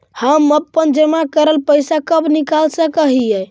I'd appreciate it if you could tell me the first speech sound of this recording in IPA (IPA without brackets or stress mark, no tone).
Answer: h